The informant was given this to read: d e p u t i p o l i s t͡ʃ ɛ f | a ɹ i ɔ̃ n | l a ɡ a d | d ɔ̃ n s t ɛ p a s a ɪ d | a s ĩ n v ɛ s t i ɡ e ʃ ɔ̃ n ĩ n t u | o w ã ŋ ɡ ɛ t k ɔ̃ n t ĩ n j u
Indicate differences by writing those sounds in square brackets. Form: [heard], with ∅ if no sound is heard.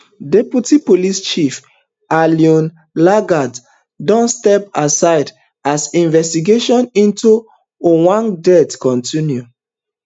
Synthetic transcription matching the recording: d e p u t i p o l i s t͡ʃ [i] f | a [l] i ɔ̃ n | l a ɡ a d | d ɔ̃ n s t ɛ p a s a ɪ d | a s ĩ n v ɛ s t i ɡ e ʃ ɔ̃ n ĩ n t u | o w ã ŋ [d] ɛ t k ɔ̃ n t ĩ n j u